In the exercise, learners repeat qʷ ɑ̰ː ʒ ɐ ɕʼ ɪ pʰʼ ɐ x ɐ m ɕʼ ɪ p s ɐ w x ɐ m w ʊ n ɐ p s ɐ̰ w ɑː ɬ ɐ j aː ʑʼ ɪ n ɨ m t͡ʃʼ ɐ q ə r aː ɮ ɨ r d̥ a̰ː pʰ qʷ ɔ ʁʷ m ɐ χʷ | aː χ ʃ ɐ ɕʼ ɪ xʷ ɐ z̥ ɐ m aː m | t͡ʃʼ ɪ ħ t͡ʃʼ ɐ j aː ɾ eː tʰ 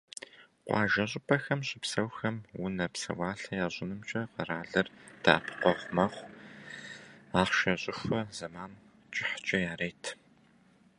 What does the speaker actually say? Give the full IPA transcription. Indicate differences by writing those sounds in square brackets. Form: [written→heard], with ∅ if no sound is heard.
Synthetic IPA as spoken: qʷ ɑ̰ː ʒ ɐ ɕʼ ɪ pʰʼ ɐ x ɐ m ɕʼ ɪ p s ɐ w x ɐ m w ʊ n ɐ p s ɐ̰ w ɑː ɬ ɐ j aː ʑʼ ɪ n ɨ m t͡ʃʼ ɐ q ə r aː ɮ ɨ r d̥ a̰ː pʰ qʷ ɔ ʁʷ m ɐ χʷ | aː χ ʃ ɐ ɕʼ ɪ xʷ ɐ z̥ ɐ m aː [m→n] | t͡ʃʼ ɪ ħ t͡ʃʼ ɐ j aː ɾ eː tʰ